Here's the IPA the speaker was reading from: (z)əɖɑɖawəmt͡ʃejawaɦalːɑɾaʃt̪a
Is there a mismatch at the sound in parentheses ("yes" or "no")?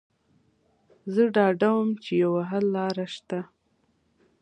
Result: no